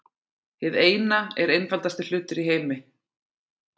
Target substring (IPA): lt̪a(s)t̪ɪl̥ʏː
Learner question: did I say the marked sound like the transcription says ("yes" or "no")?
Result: yes